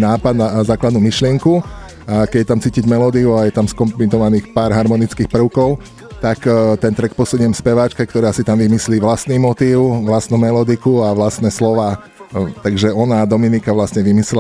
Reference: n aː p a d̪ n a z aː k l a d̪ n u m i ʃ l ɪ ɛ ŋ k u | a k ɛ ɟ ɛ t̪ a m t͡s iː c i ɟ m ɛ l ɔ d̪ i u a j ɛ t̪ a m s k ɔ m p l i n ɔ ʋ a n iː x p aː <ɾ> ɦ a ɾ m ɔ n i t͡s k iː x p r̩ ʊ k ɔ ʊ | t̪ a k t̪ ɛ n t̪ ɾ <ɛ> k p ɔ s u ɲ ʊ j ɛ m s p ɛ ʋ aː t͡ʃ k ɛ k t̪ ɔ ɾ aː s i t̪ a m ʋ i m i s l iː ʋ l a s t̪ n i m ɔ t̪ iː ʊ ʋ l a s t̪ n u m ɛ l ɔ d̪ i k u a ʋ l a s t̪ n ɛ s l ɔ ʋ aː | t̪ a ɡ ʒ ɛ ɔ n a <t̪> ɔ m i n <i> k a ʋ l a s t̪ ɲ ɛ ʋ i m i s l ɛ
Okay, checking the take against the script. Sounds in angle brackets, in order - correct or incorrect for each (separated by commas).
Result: correct, correct, incorrect, correct